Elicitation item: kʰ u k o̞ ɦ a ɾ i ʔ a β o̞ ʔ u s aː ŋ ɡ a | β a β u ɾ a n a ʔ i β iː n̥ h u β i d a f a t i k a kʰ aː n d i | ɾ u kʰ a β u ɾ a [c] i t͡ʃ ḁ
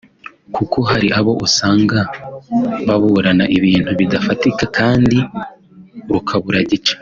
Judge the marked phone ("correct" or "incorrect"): incorrect